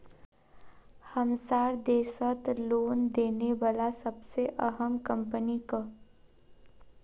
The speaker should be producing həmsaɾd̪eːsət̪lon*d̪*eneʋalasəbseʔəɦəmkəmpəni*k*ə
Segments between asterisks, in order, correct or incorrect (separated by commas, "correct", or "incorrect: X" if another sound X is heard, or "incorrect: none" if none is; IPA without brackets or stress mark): correct, correct